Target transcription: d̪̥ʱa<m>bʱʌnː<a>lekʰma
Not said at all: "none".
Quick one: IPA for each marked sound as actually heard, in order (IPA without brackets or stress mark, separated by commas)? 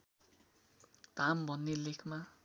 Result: m, e